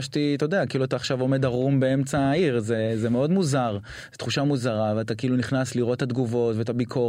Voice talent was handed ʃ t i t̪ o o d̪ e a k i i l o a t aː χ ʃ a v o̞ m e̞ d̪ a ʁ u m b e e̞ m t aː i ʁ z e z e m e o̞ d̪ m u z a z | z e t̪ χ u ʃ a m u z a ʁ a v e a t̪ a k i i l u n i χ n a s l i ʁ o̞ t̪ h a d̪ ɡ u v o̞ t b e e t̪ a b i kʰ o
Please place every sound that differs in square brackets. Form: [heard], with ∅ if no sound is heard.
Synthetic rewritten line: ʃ t i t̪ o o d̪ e a k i i l [u] a t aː χ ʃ a v o̞ m e̞ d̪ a ʁ u m b e e̞ m [t͡s] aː i ʁ z e z e m e o̞ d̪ m u z a [ʁ] | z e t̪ χ u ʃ a m u z a ʁ a v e a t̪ a k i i l u n i χ n a s l i ʁ o̞ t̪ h a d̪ ɡ u v o̞ t [v] e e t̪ a b i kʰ o